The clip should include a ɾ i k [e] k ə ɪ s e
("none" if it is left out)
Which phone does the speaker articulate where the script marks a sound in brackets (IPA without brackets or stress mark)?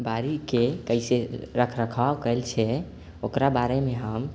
e